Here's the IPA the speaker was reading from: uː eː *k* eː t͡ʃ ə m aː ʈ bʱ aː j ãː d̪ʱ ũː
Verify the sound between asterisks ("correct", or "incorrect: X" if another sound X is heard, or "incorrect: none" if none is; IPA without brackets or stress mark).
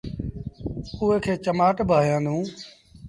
incorrect: kʰ